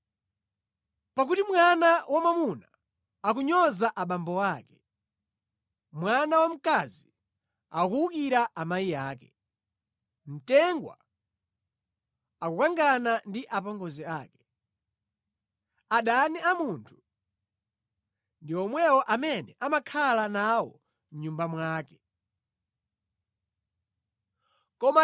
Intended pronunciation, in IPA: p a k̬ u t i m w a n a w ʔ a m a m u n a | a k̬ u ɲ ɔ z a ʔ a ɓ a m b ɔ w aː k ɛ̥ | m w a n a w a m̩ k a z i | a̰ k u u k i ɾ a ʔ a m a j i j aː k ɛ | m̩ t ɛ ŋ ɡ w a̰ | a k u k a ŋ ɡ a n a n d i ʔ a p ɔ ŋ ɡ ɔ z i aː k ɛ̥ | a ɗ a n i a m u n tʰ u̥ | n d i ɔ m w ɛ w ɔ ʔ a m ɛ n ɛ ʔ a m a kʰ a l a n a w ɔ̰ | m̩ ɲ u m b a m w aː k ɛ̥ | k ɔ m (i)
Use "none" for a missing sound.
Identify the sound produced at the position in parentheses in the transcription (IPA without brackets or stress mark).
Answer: a